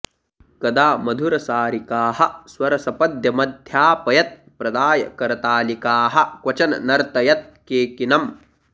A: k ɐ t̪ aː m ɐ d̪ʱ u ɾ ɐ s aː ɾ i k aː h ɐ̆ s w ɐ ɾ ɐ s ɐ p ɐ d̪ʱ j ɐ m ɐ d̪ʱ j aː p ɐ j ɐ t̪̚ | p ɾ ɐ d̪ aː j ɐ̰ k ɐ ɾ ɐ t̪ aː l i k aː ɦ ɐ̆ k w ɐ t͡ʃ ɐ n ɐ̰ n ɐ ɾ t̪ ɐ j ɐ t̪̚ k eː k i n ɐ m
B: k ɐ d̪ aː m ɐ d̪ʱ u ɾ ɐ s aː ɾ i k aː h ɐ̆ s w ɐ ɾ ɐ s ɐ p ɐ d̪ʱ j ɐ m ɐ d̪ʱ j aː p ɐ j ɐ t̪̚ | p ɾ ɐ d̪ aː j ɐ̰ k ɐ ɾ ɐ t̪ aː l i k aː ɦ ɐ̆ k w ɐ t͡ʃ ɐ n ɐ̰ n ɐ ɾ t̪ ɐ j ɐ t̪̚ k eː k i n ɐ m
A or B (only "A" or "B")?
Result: B